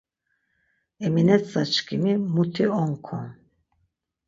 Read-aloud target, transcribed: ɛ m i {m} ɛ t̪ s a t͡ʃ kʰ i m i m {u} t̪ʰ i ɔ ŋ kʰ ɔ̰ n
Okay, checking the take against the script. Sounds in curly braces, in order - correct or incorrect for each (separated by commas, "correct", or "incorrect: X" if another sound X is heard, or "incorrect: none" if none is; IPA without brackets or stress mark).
incorrect: n, correct